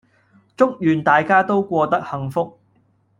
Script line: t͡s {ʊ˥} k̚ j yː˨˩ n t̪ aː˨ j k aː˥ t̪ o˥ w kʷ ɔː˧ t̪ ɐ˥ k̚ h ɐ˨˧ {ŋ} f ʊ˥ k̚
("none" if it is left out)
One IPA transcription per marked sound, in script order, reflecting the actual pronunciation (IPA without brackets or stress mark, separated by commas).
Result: ʊ˥, ŋ